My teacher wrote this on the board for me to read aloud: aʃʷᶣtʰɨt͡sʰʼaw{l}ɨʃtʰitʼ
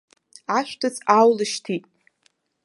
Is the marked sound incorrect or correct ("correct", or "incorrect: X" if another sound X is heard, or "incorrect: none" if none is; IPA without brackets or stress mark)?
correct